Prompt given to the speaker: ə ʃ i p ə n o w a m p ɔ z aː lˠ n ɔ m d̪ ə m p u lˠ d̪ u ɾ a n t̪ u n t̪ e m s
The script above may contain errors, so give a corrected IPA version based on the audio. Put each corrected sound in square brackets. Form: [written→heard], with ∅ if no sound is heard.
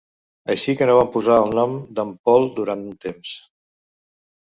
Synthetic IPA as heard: ə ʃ i [p→k] ə n o [w→β] a m p [ɔ→u] z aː lˠ n ɔ m d̪ ə m p [u→ɔ] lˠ d̪ u ɾ a n t̪ u n t̪ e m s